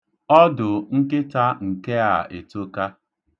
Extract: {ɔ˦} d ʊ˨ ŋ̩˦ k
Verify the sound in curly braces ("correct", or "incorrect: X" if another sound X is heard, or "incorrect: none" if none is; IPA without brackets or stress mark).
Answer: correct